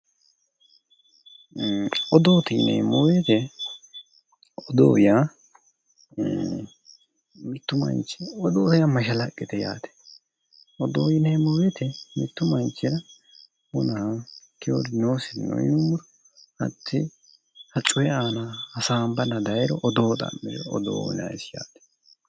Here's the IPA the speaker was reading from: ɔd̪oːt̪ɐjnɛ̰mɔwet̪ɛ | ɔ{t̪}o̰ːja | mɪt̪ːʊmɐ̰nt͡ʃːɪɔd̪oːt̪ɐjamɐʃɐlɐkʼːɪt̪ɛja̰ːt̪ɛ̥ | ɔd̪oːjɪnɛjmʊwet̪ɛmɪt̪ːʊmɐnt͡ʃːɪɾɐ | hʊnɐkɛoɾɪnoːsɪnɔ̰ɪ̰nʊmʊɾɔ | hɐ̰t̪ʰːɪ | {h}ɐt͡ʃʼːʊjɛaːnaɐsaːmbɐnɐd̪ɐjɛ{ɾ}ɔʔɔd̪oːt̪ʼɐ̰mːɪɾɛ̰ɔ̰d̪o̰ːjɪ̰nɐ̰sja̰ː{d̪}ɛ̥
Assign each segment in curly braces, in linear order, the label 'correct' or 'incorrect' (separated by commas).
incorrect, correct, correct, incorrect